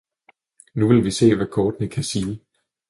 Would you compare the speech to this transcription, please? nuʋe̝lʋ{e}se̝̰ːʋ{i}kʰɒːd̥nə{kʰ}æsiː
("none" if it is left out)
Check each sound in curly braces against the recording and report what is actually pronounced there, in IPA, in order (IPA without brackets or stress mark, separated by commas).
i, æ, kʰ